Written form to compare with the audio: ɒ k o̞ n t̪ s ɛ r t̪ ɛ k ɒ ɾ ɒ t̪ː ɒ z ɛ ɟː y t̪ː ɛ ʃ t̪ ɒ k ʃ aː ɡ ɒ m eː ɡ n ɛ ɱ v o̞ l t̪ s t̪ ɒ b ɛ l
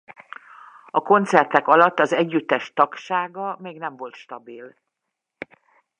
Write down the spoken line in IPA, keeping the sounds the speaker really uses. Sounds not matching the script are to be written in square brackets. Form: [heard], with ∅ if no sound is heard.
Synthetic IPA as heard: ɒ k o̞ n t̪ s ɛ r t̪ ɛ k ɒ [l] ɒ t̪ː ɒ z ɛ ɟː y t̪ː ɛ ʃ t̪ ɒ k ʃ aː ɡ ɒ m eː ɡ n ɛ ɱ v o̞ l t̪ [ʃ] t̪ ɒ b [i] l